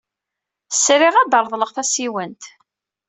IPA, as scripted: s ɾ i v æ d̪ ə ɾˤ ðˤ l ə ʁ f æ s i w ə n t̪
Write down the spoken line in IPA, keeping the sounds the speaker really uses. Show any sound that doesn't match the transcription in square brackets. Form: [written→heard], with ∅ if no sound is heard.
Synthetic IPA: s ɾ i [v→ʁ] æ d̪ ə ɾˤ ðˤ l ə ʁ [f→θ] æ s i w ə n t̪